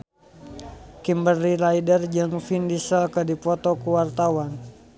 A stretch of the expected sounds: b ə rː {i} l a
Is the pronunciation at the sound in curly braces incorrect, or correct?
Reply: correct